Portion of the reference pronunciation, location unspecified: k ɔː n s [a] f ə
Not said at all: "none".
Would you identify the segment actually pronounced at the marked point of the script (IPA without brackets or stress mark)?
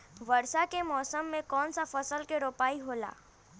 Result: a